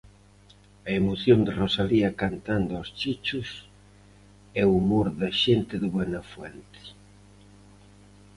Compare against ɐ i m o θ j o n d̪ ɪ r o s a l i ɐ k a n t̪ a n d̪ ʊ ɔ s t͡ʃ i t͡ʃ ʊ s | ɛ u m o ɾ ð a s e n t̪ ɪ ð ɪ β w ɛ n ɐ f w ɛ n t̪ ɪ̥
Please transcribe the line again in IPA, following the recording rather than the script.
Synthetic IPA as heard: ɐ e m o θ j o n d̪ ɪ r o s a l i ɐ k a n t̪ a n d̪ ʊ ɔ s t͡ʃ i t͡ʃ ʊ s | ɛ u m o ɾ ð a ʃ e n t̪ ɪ ð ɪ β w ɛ n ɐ f w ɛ n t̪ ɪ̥